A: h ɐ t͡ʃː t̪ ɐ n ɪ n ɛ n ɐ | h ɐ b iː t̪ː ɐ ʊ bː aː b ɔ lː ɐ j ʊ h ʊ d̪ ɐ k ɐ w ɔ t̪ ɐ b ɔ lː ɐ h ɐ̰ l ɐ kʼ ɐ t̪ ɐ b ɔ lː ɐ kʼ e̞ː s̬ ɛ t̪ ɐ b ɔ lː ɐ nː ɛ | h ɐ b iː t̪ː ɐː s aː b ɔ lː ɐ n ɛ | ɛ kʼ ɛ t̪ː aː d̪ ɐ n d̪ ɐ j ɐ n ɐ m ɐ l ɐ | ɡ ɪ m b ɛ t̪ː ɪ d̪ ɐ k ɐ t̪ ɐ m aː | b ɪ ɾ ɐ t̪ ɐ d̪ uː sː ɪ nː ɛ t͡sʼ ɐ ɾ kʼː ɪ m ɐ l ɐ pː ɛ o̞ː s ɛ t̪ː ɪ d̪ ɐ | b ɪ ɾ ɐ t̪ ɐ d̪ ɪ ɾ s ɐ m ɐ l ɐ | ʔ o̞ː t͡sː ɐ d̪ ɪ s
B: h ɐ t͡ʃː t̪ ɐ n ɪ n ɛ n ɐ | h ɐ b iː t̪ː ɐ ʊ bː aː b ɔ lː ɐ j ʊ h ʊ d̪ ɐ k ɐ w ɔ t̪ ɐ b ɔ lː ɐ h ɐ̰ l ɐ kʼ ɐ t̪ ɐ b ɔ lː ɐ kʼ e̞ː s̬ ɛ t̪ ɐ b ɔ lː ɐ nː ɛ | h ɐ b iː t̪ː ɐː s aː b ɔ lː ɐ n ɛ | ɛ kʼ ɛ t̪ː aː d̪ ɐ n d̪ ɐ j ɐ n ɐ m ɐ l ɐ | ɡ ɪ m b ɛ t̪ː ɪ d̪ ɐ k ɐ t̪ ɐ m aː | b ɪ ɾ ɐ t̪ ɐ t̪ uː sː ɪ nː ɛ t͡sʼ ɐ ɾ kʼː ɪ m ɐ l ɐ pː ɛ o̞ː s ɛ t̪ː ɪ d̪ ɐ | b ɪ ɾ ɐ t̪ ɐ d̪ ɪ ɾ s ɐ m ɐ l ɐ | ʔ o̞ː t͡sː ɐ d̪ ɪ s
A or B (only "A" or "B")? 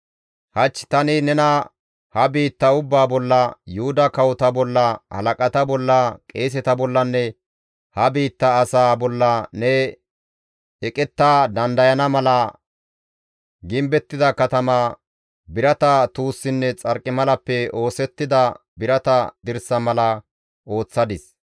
B